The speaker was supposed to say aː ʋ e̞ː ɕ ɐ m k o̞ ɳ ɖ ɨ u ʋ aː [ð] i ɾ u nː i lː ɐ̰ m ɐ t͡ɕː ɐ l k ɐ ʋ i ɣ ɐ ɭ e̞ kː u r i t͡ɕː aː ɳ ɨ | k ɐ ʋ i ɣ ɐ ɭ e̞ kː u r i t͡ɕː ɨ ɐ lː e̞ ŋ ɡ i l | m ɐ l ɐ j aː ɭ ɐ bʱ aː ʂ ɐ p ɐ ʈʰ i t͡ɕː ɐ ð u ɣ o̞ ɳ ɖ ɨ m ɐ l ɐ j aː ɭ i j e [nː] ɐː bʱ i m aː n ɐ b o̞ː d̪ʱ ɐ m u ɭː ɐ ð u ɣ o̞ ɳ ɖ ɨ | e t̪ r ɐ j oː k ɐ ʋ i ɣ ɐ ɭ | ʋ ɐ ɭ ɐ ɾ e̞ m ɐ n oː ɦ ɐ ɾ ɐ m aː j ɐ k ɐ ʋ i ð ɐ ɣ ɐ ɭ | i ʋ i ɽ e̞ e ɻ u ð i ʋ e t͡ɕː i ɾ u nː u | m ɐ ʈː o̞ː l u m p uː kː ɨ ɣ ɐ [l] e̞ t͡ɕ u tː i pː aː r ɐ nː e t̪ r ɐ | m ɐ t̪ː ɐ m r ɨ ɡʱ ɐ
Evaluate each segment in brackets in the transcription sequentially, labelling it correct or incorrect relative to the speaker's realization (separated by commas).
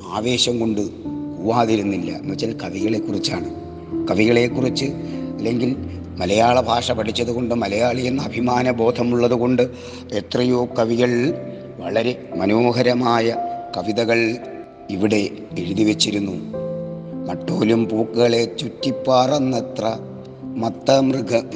correct, correct, incorrect